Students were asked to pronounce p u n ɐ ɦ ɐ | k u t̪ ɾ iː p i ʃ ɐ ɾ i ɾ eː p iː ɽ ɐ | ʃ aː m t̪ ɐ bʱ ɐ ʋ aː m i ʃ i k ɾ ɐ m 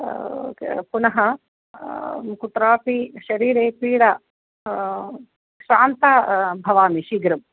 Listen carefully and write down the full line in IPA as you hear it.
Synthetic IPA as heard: p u n ɐ ɦ ɐ | k u t̪ ɾ aː p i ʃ ɐ ɾ iː ɾ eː p iː ɽ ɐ | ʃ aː n t̪ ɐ bʱ ɐ ʋ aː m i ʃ i ɡ ɾ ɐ m